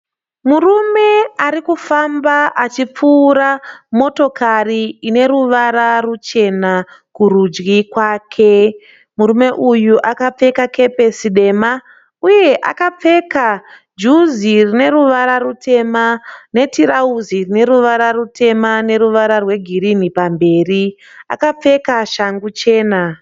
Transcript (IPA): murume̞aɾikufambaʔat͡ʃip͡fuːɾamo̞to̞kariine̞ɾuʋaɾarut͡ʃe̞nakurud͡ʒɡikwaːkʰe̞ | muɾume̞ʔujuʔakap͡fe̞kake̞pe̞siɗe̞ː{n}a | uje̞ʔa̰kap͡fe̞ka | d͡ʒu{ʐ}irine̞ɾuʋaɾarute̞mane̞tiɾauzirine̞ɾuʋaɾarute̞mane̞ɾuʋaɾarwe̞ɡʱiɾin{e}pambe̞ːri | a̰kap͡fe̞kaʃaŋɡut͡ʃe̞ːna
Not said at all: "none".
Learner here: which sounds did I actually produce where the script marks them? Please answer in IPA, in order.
m, z, i

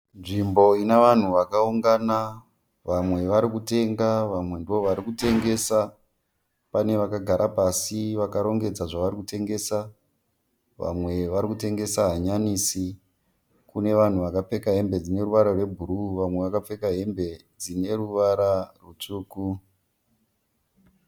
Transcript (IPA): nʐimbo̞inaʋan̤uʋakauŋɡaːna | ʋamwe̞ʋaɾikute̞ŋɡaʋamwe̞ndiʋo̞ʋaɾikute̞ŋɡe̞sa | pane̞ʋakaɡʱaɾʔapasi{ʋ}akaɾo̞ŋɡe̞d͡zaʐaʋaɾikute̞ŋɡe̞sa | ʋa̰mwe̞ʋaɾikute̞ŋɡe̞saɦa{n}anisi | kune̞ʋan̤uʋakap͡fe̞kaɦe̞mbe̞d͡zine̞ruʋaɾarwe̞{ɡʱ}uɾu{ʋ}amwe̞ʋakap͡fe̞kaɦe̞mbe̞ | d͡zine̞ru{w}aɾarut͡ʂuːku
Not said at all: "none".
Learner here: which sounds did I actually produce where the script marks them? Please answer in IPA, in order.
ʋ, ɲ, bʱ, ʋ, ʋ

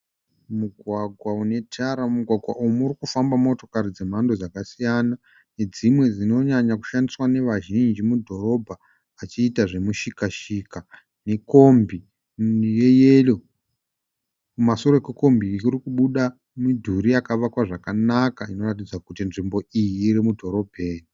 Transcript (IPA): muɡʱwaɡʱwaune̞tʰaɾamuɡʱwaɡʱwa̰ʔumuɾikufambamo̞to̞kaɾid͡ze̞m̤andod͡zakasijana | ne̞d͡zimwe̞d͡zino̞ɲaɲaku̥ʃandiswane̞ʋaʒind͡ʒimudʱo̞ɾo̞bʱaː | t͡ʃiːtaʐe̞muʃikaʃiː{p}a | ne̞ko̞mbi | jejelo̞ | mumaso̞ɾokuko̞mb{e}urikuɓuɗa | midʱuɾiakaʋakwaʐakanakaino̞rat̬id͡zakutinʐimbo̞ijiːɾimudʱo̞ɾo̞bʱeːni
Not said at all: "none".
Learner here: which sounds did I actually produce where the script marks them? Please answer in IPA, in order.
k, i

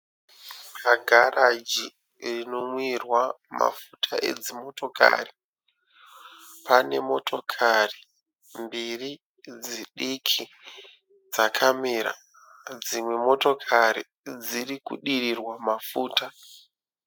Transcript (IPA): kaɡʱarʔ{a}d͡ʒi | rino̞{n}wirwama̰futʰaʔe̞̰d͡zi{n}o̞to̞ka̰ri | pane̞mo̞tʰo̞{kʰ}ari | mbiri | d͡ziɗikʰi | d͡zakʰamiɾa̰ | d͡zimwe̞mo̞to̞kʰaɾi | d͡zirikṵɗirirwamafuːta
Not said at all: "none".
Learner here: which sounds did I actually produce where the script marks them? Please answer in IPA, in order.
a, m, m, kʰ

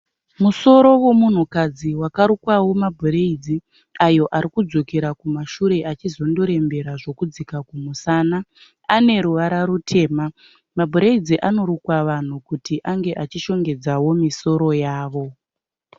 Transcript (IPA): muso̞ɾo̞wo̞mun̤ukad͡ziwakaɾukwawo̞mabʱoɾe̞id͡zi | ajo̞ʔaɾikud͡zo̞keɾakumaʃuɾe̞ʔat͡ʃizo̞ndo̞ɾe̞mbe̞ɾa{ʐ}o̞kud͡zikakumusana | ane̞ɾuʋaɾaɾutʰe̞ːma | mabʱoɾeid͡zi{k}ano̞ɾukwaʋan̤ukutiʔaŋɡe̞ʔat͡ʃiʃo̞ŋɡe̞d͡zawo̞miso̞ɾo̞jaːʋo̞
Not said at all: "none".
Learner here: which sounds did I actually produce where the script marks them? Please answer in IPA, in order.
ʐ, ʔ

